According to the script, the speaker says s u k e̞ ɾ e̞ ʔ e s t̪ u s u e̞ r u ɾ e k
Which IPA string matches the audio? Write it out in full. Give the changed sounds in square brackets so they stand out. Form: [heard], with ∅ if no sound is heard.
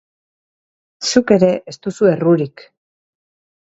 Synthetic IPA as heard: s u k e̞ ɾ e̞ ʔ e s t̪ u s u e̞ r u ɾ [i] k